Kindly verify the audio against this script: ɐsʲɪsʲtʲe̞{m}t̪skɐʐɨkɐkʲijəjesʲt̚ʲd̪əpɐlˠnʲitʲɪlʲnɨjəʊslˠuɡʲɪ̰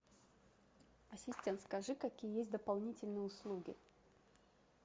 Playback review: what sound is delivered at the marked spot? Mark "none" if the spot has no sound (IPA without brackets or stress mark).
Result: n